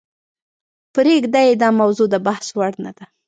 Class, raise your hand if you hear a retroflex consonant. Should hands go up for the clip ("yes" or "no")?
yes